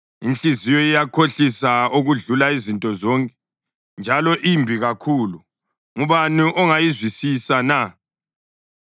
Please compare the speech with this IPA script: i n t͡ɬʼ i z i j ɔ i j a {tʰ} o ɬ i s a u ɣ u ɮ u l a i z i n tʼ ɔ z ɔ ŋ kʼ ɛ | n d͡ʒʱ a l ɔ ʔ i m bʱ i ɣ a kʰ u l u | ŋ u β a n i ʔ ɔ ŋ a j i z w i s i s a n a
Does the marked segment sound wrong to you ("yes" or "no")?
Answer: yes